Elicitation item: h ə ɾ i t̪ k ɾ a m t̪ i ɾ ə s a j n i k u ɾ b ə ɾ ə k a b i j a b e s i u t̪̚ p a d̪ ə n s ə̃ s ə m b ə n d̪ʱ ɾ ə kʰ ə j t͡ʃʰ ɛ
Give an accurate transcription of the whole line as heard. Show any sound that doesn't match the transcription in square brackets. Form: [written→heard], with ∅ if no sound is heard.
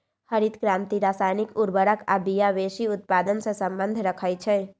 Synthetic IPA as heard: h ə ɾ i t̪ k ɾ a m t̪ i ɾ [ə→a] s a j n i k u ɾ b ə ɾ ə k a b i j a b e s i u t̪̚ p a d̪ ə n s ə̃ s ə m b ə n d̪ʱ ɾ ə kʰ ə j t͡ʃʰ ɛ